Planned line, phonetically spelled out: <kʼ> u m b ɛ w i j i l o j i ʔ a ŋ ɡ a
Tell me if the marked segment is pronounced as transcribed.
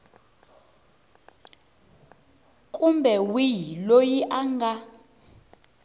yes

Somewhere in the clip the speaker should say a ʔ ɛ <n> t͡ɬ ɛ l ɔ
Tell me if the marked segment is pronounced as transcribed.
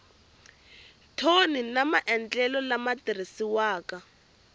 yes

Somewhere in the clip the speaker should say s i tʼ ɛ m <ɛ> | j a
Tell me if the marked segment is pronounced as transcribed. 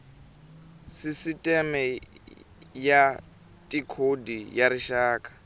yes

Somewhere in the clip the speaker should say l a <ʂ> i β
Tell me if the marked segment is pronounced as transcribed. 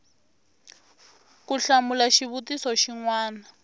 no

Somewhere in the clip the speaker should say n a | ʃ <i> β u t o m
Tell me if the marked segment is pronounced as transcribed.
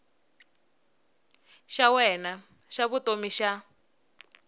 no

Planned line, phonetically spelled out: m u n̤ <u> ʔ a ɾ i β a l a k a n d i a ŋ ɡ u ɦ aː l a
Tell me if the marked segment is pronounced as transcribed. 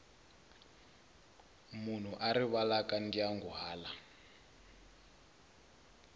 yes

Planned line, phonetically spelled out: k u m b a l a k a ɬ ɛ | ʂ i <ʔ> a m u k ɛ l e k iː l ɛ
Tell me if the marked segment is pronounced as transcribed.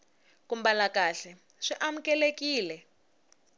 yes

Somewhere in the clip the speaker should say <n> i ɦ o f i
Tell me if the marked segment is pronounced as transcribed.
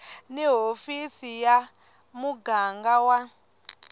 yes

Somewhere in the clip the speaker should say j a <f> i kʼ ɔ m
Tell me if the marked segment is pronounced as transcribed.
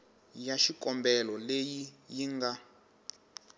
no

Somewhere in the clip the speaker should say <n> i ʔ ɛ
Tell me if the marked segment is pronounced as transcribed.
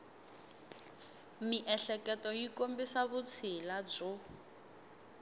no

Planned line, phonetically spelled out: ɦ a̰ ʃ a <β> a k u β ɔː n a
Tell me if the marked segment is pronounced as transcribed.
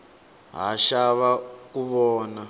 yes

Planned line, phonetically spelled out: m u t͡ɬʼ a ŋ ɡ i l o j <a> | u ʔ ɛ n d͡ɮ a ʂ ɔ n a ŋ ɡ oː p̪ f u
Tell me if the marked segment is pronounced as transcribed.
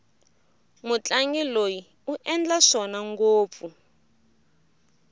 no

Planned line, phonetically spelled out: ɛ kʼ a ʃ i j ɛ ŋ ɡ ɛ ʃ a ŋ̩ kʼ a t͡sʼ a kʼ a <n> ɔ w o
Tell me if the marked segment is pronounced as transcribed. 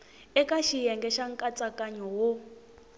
no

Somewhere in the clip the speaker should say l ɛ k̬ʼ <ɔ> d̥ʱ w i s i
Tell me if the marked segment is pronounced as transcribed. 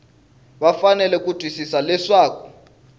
no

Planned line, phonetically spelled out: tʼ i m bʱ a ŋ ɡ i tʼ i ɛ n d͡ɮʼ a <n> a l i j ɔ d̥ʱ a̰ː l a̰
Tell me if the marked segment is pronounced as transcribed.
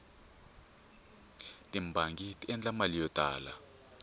no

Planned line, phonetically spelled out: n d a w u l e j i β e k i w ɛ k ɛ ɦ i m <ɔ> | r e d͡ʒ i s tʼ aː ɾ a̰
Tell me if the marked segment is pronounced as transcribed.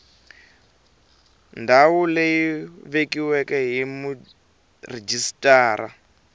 no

